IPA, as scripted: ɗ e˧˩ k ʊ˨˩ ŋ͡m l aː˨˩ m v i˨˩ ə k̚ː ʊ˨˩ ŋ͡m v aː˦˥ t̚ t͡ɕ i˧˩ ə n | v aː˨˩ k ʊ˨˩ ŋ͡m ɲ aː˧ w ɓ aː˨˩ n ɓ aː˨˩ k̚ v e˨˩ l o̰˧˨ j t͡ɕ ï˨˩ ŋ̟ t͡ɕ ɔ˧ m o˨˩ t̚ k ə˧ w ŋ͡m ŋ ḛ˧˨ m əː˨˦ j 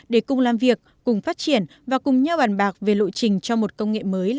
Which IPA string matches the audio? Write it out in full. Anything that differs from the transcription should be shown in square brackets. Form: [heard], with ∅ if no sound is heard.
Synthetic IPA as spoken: ɗ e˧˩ k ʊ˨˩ ŋ͡m l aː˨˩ m v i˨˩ ə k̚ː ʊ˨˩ ŋ͡m [f] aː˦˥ t̚ t͡ɕ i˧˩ ə n | v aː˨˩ k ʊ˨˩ ŋ͡m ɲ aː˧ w ɓ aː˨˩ n ɓ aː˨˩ k̚ v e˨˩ l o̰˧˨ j t͡ɕ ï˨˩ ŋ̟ t͡ɕ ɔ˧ m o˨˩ t̚ k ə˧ w ŋ͡m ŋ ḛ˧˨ m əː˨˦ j